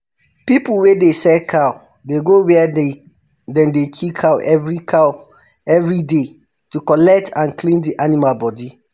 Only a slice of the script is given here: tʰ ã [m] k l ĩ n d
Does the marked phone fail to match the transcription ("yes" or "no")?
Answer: yes